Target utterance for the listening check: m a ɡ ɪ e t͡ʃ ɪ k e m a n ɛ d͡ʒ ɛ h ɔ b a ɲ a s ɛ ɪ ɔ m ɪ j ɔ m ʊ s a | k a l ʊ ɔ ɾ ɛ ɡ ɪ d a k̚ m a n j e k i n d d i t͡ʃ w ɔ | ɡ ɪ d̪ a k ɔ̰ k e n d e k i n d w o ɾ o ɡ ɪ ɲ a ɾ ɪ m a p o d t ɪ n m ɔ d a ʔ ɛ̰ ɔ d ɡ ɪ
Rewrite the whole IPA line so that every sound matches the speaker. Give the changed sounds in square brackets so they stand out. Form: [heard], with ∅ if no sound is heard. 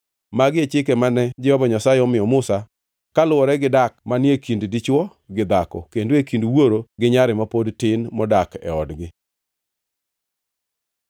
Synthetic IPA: m a ɡ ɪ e t͡ʃ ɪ k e m a n ɛ d͡ʒ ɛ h ɔ b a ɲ a s [a] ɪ ɔ m ɪ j ɔ m ʊ s a | k a l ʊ ɔ ɾ ɛ ɡ ɪ d a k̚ m a n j e k i n d d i t͡ʃ w ɔ | ɡ ɪ d̪ a k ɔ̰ k e n d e k i n d w o ɾ o ɡ ɪ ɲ a ɾ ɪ m a p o d t ɪ n m ɔ d a [k] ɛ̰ ɔ d ɡ ɪ